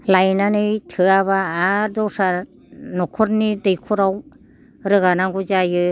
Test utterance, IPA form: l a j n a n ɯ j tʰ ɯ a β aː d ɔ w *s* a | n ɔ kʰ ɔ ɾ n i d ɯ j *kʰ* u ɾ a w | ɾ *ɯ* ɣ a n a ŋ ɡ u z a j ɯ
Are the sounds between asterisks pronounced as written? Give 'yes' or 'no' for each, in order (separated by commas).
yes, yes, yes